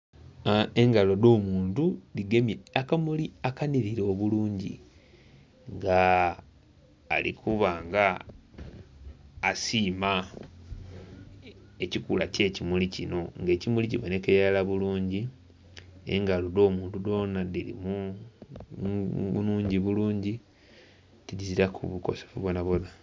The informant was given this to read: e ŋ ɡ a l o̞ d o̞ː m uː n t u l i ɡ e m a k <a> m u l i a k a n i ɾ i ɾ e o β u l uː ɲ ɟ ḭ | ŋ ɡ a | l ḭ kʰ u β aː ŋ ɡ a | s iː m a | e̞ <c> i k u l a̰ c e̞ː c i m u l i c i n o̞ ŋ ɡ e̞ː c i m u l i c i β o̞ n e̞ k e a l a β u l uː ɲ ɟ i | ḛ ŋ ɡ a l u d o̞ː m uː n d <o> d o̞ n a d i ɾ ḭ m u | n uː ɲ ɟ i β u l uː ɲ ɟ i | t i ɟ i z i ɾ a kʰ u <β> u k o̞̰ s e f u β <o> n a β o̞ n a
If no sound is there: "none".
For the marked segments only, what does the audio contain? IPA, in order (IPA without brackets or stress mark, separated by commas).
a, c, u, β, o